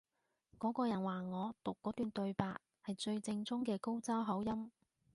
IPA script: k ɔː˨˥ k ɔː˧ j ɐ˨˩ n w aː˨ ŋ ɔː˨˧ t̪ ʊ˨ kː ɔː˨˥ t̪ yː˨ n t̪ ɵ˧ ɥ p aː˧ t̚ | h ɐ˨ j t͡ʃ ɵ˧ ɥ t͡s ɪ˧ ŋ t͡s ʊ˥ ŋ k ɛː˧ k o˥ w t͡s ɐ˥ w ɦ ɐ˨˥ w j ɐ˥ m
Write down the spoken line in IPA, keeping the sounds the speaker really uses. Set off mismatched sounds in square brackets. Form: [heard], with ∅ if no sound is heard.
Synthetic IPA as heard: k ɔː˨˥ k ɔː˧ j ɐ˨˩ n w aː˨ ŋ ɔː˨˧ t̪ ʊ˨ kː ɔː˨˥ t̪ yː˨ n t̪ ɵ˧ ɥ p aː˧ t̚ | h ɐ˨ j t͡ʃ ɵ˧ ɥ t͡s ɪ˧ ŋ t͡s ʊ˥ ŋ k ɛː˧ k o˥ w t͡s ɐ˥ w ɦ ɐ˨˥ w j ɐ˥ m